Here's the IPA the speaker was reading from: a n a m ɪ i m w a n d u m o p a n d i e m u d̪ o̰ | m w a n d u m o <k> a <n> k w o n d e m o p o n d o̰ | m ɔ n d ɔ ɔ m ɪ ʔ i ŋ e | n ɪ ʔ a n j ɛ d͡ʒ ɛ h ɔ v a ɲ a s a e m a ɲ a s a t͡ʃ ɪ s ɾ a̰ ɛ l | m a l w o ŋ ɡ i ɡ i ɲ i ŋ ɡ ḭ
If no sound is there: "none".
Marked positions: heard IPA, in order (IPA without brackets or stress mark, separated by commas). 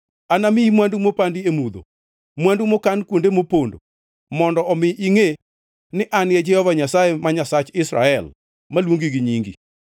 k, n